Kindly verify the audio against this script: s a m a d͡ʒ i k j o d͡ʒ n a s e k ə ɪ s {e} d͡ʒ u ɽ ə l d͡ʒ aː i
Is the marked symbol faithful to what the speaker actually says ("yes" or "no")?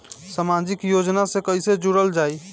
yes